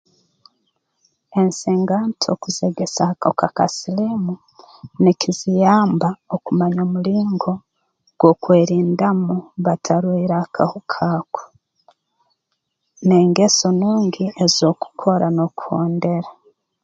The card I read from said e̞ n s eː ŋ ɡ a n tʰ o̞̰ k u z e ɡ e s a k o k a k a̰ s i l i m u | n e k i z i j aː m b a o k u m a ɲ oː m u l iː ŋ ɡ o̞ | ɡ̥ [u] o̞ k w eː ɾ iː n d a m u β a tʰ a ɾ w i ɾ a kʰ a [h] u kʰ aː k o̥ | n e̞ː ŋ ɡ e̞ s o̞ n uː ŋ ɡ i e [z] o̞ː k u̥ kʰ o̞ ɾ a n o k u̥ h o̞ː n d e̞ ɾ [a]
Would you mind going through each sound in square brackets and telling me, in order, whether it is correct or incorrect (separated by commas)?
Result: incorrect, correct, correct, correct